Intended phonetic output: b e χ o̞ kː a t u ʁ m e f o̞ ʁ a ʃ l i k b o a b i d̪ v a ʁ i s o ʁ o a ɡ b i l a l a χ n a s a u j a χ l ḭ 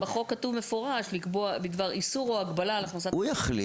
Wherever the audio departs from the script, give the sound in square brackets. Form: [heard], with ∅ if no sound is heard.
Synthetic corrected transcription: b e χ o̞ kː a t u [v] m e f o̞ ʁ a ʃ l i k b o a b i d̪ v a ʁ i s [u] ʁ o a ɡ b [a] l a l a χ n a s a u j a χ l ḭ